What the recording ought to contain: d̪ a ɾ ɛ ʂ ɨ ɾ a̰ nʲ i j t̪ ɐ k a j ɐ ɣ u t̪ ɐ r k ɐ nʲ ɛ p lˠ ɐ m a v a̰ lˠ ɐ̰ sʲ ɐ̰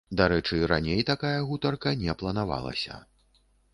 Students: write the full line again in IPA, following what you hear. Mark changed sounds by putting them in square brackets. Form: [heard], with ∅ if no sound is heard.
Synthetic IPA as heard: d̪ a ɾ ɛ [t͡ʂ] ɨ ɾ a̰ nʲ [e] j t̪ [a] k a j ɐ ɣ u t̪ ɐ r k ɐ nʲ ɛ p lˠ ɐ [n] a v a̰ lˠ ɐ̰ sʲ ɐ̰